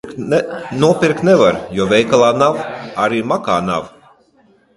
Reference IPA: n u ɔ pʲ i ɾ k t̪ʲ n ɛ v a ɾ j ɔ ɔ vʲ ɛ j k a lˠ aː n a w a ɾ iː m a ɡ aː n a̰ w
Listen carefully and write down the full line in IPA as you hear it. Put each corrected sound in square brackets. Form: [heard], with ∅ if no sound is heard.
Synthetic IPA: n u ɔ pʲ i ɾ k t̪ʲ n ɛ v a ɾ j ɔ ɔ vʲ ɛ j k a lˠ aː n a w a ɾ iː m a [k] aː n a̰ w